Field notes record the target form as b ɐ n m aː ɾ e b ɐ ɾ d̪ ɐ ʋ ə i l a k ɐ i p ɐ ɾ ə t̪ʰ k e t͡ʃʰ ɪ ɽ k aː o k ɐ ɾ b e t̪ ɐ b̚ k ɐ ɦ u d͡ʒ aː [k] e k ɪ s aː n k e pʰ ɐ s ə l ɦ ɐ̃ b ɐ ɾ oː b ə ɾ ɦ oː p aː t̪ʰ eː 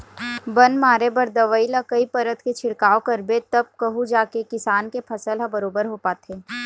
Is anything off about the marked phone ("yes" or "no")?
no